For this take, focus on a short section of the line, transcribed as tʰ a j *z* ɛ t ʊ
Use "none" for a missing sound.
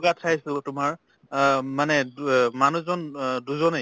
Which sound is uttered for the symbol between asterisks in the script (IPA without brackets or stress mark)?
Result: s